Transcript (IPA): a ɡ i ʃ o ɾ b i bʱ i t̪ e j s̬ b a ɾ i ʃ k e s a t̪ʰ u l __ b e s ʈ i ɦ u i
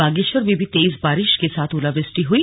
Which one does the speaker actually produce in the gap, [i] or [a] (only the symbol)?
a